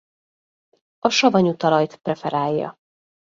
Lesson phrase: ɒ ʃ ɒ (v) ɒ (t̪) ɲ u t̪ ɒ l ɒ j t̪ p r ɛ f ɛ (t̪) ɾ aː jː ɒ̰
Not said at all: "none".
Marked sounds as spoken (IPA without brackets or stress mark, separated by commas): v, none, none